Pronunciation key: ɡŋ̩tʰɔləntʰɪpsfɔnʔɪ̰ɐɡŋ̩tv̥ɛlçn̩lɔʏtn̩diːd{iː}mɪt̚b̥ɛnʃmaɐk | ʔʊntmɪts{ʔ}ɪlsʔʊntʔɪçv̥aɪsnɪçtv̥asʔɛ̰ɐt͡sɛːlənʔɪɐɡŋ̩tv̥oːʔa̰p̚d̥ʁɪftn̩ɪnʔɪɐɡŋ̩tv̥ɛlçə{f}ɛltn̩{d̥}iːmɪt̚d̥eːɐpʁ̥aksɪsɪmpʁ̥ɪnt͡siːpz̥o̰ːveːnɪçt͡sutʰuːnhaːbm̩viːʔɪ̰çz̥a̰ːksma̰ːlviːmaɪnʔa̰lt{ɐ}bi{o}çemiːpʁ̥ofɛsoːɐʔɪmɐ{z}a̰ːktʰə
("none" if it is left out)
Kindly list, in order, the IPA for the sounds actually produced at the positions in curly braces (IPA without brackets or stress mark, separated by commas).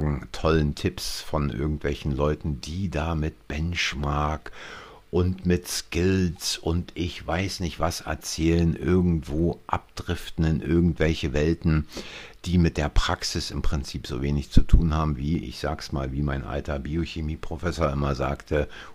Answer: aː, k, v, d̥, ɐ, o, z